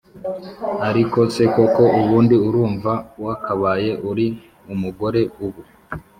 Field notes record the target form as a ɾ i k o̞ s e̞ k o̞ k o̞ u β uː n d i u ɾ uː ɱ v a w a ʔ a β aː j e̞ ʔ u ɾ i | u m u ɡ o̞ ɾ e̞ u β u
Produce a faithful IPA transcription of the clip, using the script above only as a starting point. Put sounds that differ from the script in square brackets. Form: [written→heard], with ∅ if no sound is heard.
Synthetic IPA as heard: a ɾ i k o̞ s e̞ k o̞ k o̞ u β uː n d i u ɾ uː ɱ v a w a [ʔ→k] a β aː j e̞ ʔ u ɾ i | u m u ɡ o̞ ɾ e̞ u β u